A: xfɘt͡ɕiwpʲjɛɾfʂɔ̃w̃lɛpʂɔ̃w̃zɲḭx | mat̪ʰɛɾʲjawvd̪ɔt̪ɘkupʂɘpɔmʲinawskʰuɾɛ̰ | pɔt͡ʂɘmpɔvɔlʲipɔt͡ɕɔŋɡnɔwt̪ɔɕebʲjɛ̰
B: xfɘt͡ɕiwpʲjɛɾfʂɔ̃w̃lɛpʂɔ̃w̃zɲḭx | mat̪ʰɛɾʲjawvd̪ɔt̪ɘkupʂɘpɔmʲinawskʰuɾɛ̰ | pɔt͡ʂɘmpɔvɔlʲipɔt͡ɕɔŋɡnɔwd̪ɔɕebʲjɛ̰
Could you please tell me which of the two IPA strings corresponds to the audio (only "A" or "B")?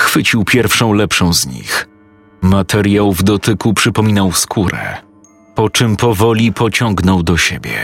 B